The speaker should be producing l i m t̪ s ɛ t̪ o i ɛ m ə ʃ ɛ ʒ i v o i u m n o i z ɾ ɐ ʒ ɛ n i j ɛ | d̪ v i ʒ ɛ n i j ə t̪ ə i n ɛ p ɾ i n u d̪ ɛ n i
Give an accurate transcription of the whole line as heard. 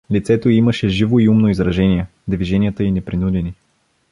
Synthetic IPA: l i t̪ s ɛ t̪ o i i m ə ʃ ɛ ʒ i v o i u m n o i z ɾ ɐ ʒ ɛ n i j ɛ | d̪ v i ʒ ɛ n i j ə t̪ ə i n ɛ p ɾ i n u d̪ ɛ n i